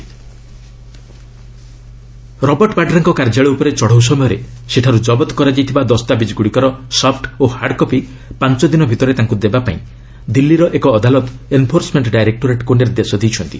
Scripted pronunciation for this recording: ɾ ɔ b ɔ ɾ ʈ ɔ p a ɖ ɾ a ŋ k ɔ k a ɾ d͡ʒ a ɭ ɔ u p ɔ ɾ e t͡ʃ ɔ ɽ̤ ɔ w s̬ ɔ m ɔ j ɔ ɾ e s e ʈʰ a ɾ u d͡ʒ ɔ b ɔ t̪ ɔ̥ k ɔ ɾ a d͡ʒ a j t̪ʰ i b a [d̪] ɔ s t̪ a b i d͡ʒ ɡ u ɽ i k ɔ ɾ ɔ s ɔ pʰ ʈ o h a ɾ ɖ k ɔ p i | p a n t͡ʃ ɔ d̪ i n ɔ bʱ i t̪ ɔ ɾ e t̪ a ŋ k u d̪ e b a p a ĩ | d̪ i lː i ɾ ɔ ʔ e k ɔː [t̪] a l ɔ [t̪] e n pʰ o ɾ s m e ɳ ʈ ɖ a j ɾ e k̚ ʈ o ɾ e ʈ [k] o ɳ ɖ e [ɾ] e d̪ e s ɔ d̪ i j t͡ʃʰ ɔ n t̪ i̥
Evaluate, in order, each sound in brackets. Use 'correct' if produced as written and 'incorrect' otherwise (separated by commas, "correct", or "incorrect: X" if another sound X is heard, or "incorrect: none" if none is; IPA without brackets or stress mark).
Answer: correct, incorrect: d̪, correct, correct, correct